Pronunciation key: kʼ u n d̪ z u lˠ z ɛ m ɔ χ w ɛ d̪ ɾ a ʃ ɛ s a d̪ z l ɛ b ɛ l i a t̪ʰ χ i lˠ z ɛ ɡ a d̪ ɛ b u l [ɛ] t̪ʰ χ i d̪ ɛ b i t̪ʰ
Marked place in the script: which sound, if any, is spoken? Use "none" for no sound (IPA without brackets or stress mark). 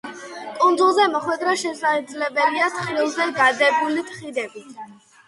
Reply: i